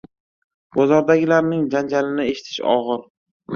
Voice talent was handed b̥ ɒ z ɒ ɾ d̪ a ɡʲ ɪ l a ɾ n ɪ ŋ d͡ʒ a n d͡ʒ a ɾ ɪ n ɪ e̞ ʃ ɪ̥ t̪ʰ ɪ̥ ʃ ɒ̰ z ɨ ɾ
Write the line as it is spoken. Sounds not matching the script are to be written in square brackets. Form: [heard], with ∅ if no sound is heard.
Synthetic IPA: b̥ ɒ z ɒ ɾ d̪ a ɡʲ ɪ l a ɾ n ɪ ŋ d͡ʒ a n d͡ʒ a [l] ɪ n ɪ e̞ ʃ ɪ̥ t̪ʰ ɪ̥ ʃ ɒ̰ [ʁ] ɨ ɾ